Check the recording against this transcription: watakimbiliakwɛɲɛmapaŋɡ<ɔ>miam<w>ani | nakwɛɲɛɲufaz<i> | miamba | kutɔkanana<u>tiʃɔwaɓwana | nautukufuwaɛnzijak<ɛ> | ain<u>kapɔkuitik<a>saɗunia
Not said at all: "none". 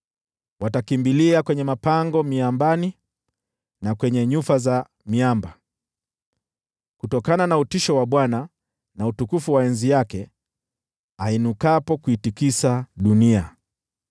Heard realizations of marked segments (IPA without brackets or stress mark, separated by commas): ɔ, b, a, u, ɛ, u, i